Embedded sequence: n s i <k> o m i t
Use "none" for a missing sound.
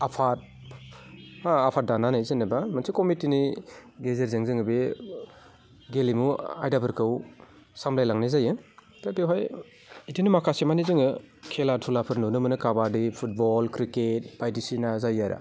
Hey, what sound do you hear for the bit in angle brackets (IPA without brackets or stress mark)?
k